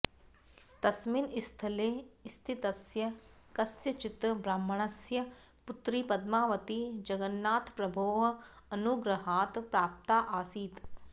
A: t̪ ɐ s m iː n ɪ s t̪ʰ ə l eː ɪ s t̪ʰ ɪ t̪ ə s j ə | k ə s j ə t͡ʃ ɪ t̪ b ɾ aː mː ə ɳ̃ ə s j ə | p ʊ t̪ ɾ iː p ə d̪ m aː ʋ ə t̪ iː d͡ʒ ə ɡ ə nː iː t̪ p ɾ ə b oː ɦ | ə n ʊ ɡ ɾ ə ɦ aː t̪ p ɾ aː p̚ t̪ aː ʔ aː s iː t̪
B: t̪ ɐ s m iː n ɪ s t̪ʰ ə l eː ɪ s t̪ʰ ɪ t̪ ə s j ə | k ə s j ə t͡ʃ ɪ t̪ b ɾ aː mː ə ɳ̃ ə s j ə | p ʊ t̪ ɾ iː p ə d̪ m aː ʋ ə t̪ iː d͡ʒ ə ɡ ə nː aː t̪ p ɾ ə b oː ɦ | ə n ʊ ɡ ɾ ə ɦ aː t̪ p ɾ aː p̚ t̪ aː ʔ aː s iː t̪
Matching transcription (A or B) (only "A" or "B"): B